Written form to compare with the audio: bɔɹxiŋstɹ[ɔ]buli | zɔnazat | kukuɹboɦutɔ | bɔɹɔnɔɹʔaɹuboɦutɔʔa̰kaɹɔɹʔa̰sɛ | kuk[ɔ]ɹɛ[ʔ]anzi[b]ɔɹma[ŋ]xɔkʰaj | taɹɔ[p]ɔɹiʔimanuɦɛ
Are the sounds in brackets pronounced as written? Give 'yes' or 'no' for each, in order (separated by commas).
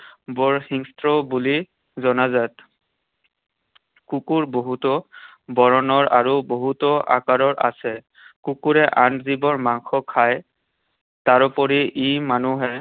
yes, no, yes, yes, yes, yes